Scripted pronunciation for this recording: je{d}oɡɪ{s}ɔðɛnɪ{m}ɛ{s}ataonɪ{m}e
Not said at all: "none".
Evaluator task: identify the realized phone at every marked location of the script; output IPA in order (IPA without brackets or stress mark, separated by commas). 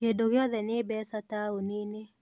d, none, b, s, n